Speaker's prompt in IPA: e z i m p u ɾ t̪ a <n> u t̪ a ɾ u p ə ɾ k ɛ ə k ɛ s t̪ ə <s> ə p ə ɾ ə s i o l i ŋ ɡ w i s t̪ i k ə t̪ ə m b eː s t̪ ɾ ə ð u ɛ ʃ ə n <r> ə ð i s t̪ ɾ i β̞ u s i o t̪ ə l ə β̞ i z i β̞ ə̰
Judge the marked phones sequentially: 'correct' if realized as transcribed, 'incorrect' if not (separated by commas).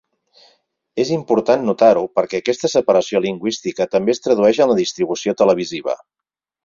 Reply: incorrect, correct, incorrect